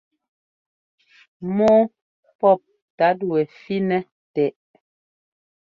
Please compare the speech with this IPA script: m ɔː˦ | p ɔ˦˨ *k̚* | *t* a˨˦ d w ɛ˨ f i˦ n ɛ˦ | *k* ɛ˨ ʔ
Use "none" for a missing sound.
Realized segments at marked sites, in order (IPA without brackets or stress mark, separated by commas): p̚, t, t